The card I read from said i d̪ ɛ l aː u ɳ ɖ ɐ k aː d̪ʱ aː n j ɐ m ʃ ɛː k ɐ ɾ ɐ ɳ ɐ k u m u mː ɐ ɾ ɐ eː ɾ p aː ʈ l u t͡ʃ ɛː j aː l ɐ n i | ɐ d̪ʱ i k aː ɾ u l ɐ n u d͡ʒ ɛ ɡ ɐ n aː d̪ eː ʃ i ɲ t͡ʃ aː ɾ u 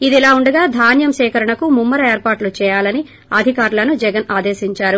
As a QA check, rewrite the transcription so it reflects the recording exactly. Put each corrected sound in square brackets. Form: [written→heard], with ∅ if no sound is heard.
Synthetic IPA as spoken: i d̪ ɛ l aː u ɳ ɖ ɐ [k→ɡ] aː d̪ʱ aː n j ɐ m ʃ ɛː k ɐ ɾ ɐ ɳ ɐ k u m u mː ɐ ɾ ɐ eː ɾ p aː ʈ l u t͡ʃ ɛː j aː l ɐ n i | ɐ d̪ʱ i k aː ɾ u l ɐ n u d͡ʒ ɛ ɡ ɐ n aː d̪ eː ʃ i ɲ t͡ʃ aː ɾ u

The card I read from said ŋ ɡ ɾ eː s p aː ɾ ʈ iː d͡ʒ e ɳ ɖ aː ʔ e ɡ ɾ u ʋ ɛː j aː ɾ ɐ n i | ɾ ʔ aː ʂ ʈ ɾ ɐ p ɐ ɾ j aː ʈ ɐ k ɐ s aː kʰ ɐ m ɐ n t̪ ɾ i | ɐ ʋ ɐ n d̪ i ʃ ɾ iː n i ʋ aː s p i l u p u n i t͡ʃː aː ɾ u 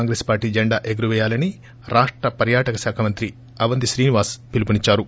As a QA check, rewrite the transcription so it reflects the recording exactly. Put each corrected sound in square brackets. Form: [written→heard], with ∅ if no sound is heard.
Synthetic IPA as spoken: ŋ ɡ ɾ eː s p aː ɾ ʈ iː d͡ʒ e ɳ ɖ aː ʔ e ɡ ɾ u ʋ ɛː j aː [ɾ→l] ɐ n i | ɾ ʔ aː ʂ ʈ ɾ ɐ p ɐ ɾ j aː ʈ ɐ k ɐ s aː kʰ ɐ m ɐ n t̪ ɾ i | ɐ ʋ ɐ n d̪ i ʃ ɾ iː n i ʋ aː s p i l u p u n i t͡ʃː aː ɾ u

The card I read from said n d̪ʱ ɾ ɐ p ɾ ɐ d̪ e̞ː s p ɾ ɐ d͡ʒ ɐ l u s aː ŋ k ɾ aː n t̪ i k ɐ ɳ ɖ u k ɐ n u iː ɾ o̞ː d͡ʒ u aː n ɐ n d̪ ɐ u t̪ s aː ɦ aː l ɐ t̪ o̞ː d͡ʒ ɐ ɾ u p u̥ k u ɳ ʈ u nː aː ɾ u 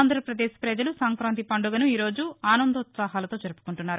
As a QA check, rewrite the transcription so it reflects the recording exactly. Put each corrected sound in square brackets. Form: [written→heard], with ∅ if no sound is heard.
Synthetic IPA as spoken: n d̪ʱ ɾ ɐ p ɾ ɐ d̪ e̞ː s p ɾ ɐ d͡ʒ ɐ l u s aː ŋ k ɾ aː n t̪ i [k→p] ɐ ɳ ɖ u [k→ɡ] ɐ n u iː ɾ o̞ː d͡ʒ u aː n ɐ n d̪ ɐ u t̪ s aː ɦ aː l ɐ t̪ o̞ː d͡ʒ ɐ ɾ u p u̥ k u ɳ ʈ u nː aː ɾ u

